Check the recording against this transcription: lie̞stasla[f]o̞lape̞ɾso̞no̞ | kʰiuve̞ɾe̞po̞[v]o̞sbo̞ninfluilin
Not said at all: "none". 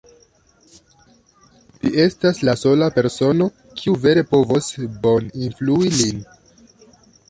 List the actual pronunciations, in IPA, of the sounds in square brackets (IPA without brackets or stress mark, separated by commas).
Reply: s, v